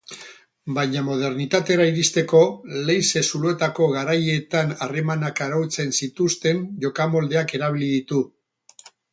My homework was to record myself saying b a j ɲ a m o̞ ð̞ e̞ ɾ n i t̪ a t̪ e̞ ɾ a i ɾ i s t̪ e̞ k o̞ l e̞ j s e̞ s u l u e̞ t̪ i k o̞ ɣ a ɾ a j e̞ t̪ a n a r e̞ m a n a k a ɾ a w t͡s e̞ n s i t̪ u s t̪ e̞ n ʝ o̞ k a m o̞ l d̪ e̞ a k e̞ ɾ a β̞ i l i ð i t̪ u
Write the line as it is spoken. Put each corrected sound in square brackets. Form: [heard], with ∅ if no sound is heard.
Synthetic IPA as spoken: b a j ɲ a m o̞ ð̞ e̞ ɾ n i t̪ a t̪ e̞ ɾ a i ɾ i s t̪ e̞ k o̞ l e̞ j s e̞ s u l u e̞ t̪ [a] k o̞ ɣ a ɾ a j e̞ t̪ a n a r e̞ m a n a k a ɾ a w t͡s e̞ n s i t̪ u s t̪ e̞ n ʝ o̞ k a m o̞ l d̪ e̞ a k e̞ ɾ a β̞ i l i ð i t̪ u